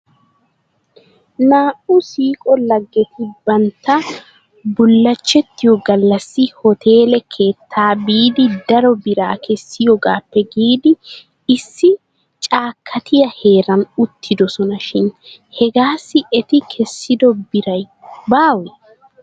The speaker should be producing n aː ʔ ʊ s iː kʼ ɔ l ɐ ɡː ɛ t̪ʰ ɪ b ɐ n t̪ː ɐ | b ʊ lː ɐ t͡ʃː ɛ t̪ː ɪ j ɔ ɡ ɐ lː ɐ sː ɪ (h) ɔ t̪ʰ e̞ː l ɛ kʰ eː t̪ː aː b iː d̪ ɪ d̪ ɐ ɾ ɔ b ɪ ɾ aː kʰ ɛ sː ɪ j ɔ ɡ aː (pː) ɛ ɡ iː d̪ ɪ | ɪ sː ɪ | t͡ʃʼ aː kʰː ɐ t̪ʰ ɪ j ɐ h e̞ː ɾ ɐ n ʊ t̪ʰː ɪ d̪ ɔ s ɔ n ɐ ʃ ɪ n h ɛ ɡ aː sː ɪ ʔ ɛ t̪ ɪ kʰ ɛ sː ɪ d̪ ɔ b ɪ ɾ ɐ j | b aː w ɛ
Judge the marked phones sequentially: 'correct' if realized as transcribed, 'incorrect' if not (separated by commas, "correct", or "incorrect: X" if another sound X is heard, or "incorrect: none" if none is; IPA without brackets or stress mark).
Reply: correct, correct